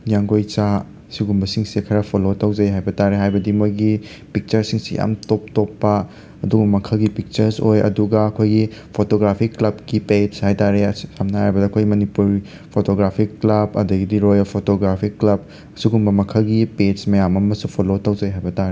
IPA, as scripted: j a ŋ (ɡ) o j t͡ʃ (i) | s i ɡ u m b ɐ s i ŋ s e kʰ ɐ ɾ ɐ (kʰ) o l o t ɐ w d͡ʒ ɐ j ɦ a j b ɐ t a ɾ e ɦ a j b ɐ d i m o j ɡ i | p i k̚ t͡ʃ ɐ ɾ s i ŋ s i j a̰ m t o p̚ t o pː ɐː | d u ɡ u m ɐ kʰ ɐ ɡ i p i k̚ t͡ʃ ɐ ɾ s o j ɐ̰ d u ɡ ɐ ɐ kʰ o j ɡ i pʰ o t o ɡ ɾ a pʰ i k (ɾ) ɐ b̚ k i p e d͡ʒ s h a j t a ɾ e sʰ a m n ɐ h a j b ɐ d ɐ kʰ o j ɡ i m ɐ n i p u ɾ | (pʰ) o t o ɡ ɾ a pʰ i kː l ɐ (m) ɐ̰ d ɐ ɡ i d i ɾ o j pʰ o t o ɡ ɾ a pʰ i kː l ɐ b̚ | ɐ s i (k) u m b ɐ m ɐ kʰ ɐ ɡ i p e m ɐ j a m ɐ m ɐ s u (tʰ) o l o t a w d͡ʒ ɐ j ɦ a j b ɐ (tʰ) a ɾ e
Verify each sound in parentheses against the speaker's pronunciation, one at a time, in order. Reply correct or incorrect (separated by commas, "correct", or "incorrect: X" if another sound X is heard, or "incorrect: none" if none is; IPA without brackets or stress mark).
correct, incorrect: a, incorrect: pʰ, incorrect: l, correct, incorrect: b, incorrect: ɡ, incorrect: pʰ, incorrect: t